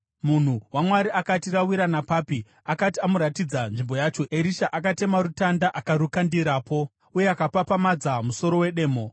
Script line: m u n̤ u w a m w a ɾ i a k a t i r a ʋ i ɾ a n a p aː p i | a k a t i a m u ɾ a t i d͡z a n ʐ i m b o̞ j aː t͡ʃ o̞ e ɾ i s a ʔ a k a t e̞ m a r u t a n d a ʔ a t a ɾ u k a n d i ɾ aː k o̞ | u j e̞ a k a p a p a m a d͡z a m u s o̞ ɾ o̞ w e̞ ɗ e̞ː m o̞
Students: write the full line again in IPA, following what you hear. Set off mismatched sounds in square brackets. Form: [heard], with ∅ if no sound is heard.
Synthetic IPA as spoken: m u n̤ u w a m w a ɾ i a k a t i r a [w] i ɾ a n a p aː p i | a k a t i a m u ɾ a t i d͡z a n ʐ i m b o̞ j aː t͡ʃ o̞ e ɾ i [ʃ] a ʔ a k a t e̞ m a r u t a n d a ʔ a [k] a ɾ u k a n d i ɾ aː [p] o̞ | u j e̞ a k a p a p a m a d͡z a m u s o̞ ɾ o̞ w e̞ ɗ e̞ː m o̞

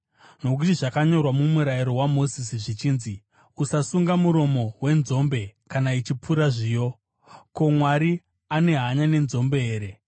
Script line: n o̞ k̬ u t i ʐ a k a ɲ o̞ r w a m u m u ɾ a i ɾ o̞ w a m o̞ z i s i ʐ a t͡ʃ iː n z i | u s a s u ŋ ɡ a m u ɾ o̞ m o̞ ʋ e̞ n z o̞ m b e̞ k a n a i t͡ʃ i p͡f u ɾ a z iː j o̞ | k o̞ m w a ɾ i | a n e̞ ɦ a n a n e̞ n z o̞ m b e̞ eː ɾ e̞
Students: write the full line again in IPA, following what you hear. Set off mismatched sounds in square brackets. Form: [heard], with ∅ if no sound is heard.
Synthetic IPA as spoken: n o̞ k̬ u t i ʐ a k a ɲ o̞ r w a m u m u ɾ a i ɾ o̞ w a m o̞ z i s i ʐ [i] t͡ʃ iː n z i | u s a s u ŋ ɡ a m u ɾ o̞ m o̞ [w] e̞ n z o̞ m b e̞ k a n a i t͡ʃ i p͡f u ɾ a [ʐ] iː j o̞ | k o̞ m w a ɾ i | a n e̞ ɦ a [ɲ] a n e̞ n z o̞ m b e̞ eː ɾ e̞

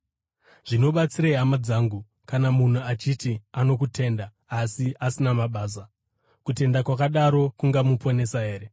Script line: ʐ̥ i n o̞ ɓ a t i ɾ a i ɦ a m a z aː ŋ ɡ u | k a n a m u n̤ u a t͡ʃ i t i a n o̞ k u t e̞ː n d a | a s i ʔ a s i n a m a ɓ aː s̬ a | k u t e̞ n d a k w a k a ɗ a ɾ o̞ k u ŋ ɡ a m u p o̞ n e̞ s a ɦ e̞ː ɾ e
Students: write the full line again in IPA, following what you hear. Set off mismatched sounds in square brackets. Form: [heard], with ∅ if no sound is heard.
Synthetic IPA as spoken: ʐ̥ i n o̞ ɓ a [t͡s] i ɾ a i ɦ a m a [d͡z] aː ŋ ɡ u | k a n a m u n̤ u a t͡ʃ i t i a n o̞ k u t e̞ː n d a | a s i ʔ a s i n a m a ɓ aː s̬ a | k u t e̞ n d a k w a k a ɗ a ɾ o̞ k u ŋ ɡ a m u p o̞ n e̞ s a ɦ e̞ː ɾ e

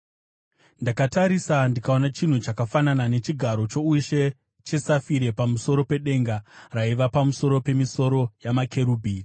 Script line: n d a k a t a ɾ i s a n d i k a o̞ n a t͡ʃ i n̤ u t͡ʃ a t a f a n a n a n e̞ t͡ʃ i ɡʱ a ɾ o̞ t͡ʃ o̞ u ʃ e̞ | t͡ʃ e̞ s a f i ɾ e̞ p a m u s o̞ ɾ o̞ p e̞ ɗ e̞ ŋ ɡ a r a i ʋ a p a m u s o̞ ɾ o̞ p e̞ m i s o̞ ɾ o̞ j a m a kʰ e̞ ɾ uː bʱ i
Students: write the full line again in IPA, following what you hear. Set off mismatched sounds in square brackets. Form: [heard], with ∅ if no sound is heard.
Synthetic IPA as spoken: n d a k a t a ɾ i s a n d i k a o̞ n a t͡ʃ i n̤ u t͡ʃ a [k] a f a n a n a n e̞ t͡ʃ i ɡʱ a ɾ o̞ t͡ʃ o̞ u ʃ e̞ | t͡ʃ e̞ s a f i ɾ e̞ p a m u s o̞ ɾ o̞ p e̞ ɗ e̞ ŋ ɡ a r a i ʋ a p a m u s o̞ ɾ o̞ p e̞ m i s o̞ ɾ o̞ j a m a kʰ e̞ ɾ uː bʱ i

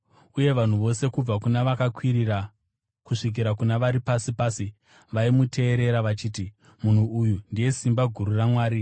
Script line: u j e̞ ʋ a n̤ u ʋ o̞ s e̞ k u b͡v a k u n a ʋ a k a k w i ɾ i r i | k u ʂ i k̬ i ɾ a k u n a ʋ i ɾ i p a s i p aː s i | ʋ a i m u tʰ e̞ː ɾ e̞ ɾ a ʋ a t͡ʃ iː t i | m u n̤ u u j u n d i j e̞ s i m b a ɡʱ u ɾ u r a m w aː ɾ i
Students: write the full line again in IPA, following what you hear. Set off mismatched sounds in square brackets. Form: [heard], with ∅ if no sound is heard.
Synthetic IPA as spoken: u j e̞ ʋ a n̤ u ʋ o̞ s e̞ k u b͡v a k u n a ʋ a k a k w i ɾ i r [a] | k u ʂ i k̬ i ɾ a k u n a ʋ [a] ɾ i p a s i p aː s i | ʋ a i m u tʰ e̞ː ɾ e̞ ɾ a ʋ a t͡ʃ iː t i | m u n̤ u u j u n d i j e̞ s i m b a ɡʱ u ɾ u r a m w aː ɾ i

